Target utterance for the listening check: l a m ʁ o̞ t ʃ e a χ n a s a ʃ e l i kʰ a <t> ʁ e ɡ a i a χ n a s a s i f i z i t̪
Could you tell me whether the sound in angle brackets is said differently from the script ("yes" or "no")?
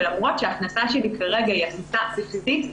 yes